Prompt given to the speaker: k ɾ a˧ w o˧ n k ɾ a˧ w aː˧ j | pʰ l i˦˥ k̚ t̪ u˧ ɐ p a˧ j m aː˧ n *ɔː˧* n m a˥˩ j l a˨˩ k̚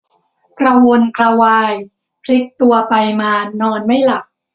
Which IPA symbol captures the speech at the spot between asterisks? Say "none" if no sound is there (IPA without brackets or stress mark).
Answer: ɔː˧